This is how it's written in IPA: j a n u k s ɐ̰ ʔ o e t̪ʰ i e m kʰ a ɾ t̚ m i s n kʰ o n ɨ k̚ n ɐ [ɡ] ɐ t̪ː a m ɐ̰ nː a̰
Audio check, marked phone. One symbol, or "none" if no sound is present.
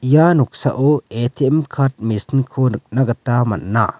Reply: ɡ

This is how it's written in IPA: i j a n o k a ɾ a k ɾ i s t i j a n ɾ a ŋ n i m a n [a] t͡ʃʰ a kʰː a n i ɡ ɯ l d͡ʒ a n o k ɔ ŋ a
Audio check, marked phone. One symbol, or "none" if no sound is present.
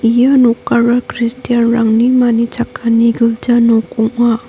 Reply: i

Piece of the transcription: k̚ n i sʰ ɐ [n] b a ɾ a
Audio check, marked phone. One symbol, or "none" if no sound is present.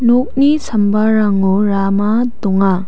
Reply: m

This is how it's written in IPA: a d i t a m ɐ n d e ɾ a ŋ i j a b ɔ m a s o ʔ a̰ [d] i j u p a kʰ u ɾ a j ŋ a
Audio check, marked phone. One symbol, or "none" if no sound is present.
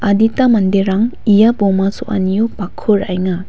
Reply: n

